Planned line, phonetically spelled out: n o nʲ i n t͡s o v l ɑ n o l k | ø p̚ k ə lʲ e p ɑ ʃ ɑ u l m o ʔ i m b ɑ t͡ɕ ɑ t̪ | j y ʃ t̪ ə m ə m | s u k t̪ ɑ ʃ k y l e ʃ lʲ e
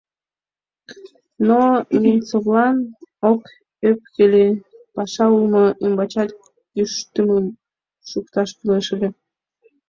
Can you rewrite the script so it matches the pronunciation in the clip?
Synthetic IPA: n o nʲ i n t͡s o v l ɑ n o k | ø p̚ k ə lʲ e p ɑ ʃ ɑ u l m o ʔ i m b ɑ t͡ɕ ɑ t̪ | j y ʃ t̪ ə m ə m | ʃ u k t̪ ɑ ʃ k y l e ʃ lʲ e